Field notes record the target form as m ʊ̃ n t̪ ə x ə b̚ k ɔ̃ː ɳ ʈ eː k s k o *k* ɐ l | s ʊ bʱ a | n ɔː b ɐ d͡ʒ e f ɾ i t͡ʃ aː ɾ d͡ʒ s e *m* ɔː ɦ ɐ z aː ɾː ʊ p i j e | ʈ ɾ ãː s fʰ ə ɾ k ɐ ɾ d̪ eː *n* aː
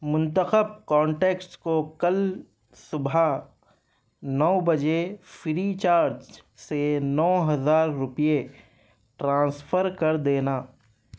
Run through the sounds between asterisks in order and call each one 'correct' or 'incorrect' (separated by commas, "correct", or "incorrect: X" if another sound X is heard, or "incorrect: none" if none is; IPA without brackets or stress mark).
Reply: correct, incorrect: n, correct